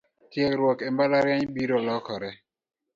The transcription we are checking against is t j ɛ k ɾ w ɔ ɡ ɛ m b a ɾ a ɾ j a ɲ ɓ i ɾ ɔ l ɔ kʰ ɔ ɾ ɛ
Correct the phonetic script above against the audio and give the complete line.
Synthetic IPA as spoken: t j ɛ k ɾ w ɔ k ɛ m b a l a ɾ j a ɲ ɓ i ɾ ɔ l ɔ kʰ ɔ ɾ ɛ